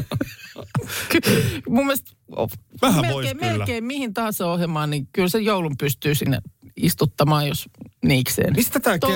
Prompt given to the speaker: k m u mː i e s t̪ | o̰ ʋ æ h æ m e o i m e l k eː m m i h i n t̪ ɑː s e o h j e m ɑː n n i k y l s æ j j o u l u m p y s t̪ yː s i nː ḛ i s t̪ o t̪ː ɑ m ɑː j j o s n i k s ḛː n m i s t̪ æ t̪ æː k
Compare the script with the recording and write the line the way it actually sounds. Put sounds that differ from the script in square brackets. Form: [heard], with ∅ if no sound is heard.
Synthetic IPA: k m u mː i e s t̪ | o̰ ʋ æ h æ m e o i m e l k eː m m i h i n t̪ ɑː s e o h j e m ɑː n n i k y l s [e] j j o u l u m p y s t̪ yː s i nː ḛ i s t̪ [u] t̪ː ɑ m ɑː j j o s n [iː] k s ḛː n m i s t̪ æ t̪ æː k